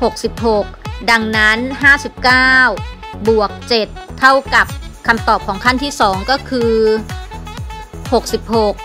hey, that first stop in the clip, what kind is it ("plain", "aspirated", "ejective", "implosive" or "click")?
plain